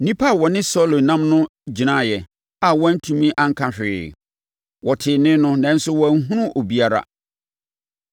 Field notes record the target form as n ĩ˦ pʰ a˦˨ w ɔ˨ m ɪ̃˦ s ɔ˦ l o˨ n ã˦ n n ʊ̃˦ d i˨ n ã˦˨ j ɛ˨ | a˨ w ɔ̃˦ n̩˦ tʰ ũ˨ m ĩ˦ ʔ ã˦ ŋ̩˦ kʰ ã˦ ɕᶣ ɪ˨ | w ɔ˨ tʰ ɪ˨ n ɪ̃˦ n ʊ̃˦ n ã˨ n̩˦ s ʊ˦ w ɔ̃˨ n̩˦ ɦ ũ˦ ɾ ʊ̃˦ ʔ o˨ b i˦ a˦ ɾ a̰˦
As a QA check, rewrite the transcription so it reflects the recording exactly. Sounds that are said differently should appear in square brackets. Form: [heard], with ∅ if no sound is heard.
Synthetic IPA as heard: n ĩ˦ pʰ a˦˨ w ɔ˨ [n] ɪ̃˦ s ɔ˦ l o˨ n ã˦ [m] n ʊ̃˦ [d͡ʑ] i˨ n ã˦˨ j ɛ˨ | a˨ w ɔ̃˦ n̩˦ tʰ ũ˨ m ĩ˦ ʔ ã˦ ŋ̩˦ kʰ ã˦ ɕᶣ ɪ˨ | w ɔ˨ tʰ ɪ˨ n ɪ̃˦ n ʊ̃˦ n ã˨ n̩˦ s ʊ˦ w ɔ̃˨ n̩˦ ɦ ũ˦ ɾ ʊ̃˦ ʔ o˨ b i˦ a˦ ɾ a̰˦